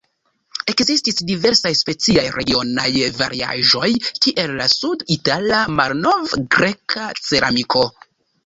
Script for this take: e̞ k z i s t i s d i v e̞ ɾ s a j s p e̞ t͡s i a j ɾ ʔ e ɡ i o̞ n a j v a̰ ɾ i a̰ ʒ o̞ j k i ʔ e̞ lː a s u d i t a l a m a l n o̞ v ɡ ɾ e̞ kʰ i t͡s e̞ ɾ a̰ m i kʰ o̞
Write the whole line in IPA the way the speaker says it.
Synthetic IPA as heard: e̞ k z i s t i s d i v e̞ ɾ s a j s p e̞ t͡s i a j ɾ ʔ e ɡ i o̞ n a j v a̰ ɾ i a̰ ʒ o̞ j k i ʔ e̞ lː a s u d i t a l a m a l n o̞ v ɡ ɾ e̞ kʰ a t͡s e̞ ɾ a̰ m i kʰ o̞